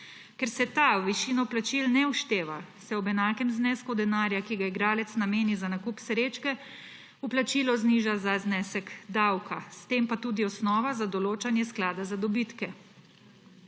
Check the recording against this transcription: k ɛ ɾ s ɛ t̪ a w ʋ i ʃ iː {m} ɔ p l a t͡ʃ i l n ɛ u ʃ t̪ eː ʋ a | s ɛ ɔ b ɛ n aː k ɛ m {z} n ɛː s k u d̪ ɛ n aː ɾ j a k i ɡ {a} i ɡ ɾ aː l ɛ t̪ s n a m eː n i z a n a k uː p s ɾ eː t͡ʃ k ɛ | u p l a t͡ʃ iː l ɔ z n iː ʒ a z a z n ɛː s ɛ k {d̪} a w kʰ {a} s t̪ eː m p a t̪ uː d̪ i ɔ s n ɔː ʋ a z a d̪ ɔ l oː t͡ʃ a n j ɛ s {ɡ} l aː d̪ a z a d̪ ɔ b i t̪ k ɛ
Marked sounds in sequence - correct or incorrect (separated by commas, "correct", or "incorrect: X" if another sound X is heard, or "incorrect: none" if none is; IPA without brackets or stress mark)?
incorrect: n, correct, correct, correct, correct, incorrect: k